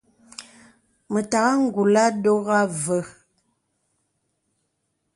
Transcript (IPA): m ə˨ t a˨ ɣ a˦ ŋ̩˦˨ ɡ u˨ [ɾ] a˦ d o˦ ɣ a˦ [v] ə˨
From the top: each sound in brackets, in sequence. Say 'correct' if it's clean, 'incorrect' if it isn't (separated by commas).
incorrect, correct